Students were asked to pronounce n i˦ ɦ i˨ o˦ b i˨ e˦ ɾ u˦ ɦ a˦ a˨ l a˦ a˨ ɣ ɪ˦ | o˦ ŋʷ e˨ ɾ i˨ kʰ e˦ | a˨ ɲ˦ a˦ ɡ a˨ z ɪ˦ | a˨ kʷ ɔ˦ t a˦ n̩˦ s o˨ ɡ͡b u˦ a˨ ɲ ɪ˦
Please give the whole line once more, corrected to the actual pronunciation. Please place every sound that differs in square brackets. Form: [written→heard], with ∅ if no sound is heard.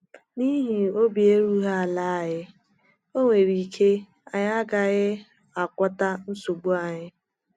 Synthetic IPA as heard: n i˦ ɦ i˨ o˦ b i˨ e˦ ɾ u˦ ɦ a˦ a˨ l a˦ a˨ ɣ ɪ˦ | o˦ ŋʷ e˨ ɾ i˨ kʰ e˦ | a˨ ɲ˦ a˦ ɡ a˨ [z→ɣ] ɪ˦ | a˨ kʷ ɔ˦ t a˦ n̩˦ s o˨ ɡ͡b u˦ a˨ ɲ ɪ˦